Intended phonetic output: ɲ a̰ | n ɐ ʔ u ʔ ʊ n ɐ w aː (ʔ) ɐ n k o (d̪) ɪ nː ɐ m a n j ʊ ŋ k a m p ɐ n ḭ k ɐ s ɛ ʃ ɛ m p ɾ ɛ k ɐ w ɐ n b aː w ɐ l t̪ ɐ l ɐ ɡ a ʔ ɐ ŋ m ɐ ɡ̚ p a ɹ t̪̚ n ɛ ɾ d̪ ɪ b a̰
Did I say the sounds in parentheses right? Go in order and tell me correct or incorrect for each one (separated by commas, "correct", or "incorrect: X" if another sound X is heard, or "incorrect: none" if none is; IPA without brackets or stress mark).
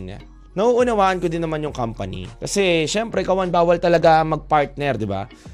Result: correct, correct